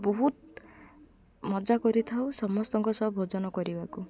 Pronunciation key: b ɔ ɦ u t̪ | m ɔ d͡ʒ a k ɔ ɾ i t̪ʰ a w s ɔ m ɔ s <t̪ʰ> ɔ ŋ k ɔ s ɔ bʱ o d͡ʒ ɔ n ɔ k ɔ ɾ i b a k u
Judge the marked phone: incorrect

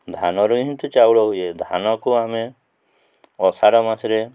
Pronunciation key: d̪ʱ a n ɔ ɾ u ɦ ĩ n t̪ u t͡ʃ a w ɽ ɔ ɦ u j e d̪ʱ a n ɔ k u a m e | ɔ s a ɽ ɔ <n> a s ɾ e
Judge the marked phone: incorrect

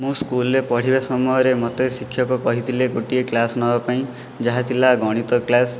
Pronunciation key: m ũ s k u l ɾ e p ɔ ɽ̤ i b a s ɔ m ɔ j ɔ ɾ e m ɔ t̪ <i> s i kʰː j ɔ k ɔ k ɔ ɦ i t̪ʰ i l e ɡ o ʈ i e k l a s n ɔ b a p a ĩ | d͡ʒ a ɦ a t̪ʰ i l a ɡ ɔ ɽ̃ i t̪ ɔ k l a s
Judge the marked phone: incorrect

